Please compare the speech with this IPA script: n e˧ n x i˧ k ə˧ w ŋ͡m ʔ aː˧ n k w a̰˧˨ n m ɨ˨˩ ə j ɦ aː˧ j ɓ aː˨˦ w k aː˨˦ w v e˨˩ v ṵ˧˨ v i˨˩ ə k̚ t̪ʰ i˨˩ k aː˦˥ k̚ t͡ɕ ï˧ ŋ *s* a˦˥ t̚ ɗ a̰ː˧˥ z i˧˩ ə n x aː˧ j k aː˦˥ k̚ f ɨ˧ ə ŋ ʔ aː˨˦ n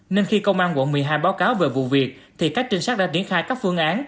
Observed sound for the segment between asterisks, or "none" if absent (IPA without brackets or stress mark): s